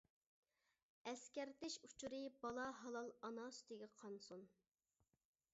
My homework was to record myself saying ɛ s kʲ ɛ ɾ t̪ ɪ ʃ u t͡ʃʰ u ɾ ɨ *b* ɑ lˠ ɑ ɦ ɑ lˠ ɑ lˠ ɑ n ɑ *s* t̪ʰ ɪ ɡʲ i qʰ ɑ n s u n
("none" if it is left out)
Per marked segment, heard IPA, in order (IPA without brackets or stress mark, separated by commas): b, s